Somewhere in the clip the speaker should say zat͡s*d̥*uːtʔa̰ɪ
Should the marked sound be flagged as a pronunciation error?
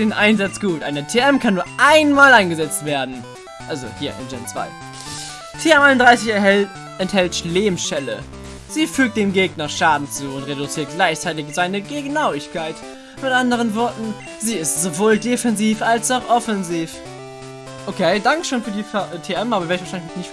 yes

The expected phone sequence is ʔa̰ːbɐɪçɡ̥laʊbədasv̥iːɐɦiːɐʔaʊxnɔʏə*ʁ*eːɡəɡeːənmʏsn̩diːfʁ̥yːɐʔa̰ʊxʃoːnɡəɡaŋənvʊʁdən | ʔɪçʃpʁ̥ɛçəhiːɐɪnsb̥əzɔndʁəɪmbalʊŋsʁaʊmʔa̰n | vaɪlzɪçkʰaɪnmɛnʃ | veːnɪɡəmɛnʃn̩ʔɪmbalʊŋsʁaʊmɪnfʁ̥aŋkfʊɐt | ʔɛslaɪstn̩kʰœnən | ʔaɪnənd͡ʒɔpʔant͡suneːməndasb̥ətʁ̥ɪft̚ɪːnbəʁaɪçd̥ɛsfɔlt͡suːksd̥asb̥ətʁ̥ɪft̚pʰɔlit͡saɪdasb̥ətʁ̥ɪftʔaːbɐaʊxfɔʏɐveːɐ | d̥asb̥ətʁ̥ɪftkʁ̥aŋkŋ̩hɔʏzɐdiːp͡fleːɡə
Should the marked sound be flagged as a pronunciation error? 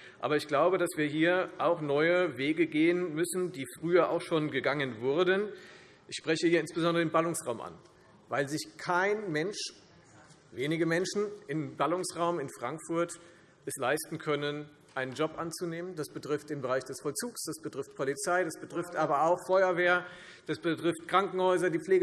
yes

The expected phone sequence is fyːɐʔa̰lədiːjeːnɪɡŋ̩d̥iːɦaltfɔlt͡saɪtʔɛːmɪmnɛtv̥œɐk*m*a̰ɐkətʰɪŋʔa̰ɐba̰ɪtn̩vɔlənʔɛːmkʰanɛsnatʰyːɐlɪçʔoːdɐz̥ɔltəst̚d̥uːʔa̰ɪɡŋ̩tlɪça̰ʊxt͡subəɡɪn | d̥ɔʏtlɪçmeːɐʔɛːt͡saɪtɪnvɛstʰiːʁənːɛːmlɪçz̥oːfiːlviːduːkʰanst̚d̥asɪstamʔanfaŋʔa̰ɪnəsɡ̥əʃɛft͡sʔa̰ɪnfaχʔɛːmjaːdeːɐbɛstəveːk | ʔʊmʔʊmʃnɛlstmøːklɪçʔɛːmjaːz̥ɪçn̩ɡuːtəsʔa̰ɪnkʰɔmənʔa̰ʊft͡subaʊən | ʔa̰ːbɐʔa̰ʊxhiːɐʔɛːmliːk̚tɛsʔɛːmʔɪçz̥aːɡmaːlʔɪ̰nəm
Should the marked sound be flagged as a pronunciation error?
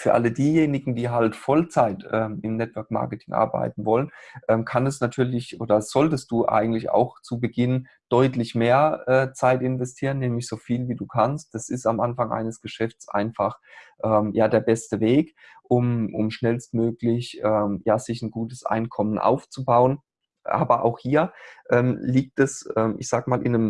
no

